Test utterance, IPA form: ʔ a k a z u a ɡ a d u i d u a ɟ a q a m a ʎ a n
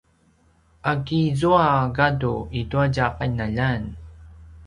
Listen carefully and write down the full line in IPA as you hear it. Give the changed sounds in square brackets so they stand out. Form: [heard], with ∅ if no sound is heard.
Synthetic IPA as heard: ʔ a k [i] z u a ɡ a d u i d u a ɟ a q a [n] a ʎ a n